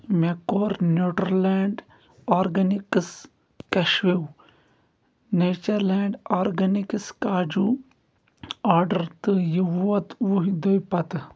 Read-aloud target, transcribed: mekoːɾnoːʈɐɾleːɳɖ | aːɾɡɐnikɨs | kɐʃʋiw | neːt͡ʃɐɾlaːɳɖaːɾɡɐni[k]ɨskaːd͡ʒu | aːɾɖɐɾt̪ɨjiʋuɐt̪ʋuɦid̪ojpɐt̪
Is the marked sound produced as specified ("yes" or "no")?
yes